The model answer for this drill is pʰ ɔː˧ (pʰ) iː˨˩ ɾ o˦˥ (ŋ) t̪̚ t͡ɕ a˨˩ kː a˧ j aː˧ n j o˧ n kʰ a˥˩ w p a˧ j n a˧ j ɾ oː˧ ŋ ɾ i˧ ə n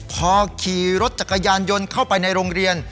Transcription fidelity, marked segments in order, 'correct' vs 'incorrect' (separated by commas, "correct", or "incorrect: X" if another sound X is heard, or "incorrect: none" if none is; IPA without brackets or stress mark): incorrect: kʰ, incorrect: none